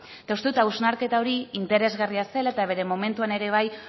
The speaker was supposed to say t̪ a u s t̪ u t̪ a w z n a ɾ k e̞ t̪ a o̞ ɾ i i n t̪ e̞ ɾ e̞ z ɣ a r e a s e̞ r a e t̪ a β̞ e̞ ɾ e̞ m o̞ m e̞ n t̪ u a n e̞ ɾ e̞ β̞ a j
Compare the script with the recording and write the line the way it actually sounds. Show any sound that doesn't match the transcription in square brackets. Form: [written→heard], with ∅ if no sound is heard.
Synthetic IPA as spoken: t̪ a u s t̪ u t̪ a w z n a ɾ k e̞ t̪ a o̞ ɾ i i n t̪ e̞ ɾ e̞ z ɣ a r [e→i] a s e̞ [r→l] a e t̪ a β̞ e̞ ɾ e̞ m o̞ m e̞ n t̪ u a n e̞ ɾ e̞ β̞ a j